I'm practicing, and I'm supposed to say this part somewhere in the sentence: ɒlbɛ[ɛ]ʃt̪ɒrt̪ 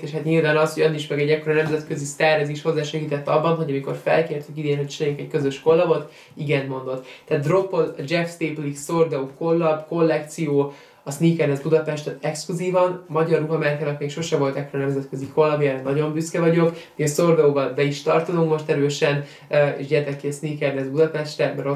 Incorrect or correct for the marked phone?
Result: incorrect: i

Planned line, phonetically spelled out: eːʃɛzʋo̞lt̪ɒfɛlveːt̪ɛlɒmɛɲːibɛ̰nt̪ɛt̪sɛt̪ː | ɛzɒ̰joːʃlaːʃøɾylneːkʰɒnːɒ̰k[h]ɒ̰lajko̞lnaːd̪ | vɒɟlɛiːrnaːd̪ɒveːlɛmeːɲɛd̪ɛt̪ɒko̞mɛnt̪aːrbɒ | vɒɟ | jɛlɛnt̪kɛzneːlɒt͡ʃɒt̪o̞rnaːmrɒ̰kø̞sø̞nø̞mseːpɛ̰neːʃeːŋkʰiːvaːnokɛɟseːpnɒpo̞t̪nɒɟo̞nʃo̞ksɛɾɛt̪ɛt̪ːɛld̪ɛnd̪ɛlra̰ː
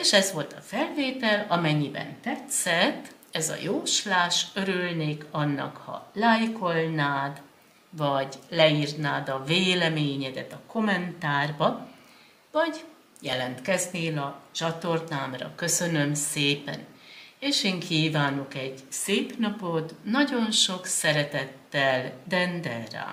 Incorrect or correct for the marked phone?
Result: correct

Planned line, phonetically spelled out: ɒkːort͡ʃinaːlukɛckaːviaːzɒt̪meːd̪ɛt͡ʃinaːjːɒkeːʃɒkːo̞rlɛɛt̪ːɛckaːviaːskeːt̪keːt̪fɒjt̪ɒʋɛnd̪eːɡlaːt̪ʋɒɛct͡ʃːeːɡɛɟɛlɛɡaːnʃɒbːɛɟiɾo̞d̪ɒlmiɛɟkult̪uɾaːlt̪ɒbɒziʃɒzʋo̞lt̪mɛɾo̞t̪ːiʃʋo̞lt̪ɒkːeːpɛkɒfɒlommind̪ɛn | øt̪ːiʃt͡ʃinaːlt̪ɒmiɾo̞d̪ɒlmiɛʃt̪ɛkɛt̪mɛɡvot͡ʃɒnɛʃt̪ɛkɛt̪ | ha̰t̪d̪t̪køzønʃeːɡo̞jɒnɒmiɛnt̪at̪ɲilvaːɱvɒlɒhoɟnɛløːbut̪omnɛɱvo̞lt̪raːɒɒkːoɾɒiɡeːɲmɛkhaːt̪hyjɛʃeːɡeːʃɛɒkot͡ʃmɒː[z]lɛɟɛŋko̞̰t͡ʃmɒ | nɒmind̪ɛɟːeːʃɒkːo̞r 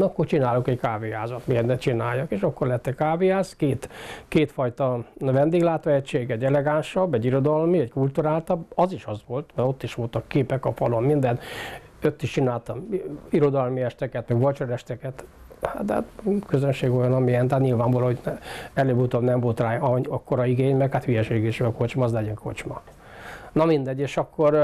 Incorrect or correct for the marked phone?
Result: correct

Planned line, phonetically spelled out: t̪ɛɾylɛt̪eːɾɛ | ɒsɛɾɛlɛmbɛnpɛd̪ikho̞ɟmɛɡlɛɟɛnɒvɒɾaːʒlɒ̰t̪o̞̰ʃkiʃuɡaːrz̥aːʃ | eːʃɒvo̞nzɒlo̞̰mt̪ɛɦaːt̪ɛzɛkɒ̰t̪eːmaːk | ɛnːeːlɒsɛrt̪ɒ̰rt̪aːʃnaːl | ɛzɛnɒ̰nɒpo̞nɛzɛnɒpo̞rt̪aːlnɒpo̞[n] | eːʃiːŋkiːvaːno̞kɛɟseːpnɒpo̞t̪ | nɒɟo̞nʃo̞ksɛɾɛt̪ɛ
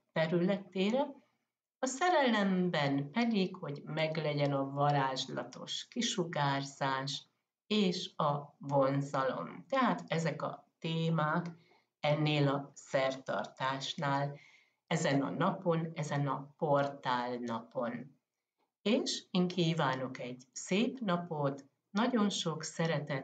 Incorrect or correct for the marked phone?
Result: correct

